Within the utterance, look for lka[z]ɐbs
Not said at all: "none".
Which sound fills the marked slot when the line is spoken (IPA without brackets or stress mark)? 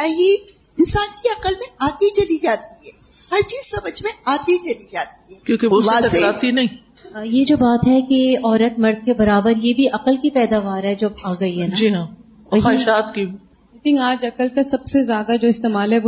s